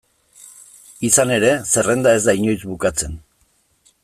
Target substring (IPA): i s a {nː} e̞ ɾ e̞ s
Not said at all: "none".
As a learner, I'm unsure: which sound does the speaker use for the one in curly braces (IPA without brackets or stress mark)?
n